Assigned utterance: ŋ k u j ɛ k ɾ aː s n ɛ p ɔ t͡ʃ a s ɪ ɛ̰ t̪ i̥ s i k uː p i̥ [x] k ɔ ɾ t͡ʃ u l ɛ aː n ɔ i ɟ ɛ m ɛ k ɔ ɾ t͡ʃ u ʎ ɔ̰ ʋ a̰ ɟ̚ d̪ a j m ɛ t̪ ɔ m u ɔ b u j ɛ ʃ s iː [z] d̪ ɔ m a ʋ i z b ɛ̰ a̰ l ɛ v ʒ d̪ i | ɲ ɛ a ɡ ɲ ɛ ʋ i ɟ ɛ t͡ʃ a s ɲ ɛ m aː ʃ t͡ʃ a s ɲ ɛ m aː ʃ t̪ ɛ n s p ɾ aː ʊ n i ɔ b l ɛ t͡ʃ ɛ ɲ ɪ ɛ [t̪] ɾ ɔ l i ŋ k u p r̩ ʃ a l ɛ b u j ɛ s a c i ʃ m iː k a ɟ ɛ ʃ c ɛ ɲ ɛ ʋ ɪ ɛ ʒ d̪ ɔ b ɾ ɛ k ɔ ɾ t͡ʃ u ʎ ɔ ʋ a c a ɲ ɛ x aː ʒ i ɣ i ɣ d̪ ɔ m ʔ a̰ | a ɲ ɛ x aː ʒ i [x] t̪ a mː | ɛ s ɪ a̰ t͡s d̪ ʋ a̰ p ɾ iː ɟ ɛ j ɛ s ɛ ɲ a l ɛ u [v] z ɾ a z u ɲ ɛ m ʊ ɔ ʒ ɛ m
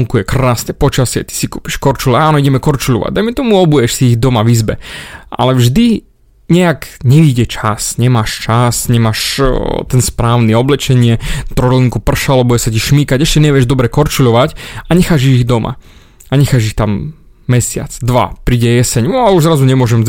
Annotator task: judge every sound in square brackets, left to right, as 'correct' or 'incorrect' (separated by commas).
incorrect, incorrect, correct, correct, incorrect